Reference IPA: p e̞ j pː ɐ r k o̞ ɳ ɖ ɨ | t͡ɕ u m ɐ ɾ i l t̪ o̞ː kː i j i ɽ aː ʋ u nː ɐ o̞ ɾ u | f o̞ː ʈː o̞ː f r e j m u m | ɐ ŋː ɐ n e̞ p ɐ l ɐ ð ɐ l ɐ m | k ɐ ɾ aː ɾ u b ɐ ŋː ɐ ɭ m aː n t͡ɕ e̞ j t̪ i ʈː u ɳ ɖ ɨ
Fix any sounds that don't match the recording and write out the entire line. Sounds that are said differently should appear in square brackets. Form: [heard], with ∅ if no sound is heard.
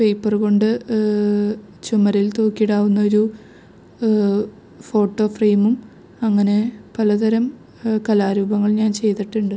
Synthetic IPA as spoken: p e̞ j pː ɐ r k o̞ ɳ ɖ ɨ | t͡ɕ u m ɐ ɾ i l t̪ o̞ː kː i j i ɽ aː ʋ u nː ɐ o̞ ɾ u | f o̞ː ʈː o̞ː f r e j m u m | ɐ ŋː ɐ n e̞ p ɐ l ɐ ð ɐ [ɾ] ɐ m | k ɐ [l] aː ɾ [uː] b ɐ ŋː ɐ ɭ [ɲ] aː n t͡ɕ e̞ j t̪ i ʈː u ɳ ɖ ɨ